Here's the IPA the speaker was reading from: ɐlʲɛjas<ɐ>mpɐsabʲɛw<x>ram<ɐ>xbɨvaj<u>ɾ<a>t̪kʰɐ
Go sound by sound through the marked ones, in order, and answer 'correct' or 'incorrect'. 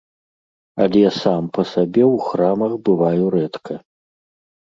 incorrect: a, correct, correct, correct, incorrect: ɛ

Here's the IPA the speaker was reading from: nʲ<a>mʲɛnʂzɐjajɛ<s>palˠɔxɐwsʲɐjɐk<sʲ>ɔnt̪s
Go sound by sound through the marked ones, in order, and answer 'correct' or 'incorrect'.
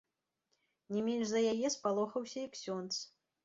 incorrect: ɛ, correct, correct

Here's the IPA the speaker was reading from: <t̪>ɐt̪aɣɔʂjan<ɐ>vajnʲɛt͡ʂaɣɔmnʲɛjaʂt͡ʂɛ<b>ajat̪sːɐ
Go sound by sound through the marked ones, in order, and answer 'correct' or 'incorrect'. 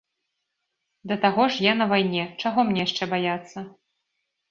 incorrect: d̪, correct, correct

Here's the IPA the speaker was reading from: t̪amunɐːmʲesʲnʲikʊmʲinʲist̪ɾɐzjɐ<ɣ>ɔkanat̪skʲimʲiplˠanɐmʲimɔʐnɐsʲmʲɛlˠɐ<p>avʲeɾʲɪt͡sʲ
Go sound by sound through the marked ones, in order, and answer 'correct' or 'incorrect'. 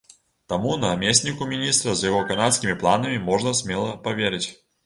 correct, correct

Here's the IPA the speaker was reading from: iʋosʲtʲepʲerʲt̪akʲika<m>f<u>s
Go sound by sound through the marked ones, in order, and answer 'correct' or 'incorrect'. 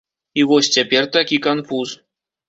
incorrect: n, correct

